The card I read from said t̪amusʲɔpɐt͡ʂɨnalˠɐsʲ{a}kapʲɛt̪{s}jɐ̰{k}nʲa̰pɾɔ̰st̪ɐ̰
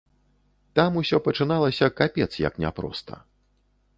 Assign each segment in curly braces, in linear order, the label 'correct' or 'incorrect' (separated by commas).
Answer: incorrect, correct, correct